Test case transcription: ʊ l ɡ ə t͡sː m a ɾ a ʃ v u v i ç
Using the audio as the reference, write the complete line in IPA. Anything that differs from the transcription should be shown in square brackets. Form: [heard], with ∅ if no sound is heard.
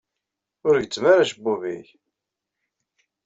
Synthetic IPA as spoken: ʊ [ɾ] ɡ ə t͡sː m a ɾ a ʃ [b] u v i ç